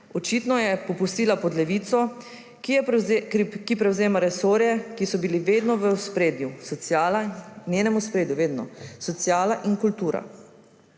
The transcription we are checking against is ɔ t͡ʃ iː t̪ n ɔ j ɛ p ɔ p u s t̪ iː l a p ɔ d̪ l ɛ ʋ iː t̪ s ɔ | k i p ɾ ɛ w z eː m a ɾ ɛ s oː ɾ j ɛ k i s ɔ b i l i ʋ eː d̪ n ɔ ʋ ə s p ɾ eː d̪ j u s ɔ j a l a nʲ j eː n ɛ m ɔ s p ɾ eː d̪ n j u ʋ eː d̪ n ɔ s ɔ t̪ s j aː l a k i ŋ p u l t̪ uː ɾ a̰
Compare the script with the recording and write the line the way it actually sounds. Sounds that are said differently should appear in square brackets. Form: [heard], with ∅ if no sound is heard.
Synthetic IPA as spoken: ɔ t͡ʃ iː t̪ n ɔ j ɛ p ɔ p u s t̪ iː l a p ɔ d̪ l ɛ ʋ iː t̪ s ɔ | k i p ɾ ɛ w z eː m a ɾ ɛ s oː ɾ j ɛ k i s ɔ b i l i ʋ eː d̪ n ɔ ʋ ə s p ɾ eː d̪ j u s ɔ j a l a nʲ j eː n ɛ m [u] s p ɾ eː d̪ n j u ʋ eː d̪ n ɔ s ɔ t̪ s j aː l a [ʔ] i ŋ [k] u l t̪ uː ɾ a̰